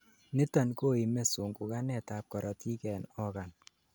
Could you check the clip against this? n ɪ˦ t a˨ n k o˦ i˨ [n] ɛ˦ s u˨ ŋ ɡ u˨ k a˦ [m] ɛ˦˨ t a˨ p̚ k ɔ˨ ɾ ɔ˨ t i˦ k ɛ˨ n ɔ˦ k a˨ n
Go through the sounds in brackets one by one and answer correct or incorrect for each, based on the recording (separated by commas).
incorrect, incorrect